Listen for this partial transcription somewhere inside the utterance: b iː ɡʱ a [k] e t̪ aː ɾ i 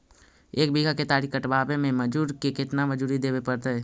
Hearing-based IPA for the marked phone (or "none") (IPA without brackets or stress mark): k